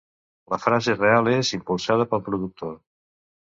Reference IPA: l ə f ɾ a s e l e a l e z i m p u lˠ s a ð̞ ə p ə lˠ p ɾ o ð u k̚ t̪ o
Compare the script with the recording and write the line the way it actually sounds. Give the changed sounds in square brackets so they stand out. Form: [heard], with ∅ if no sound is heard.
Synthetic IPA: l ə f ɾ a [z] e [r] e a l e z i m p u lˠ s a ð̞ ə p ə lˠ p ɾ [u] ð u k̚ t̪ o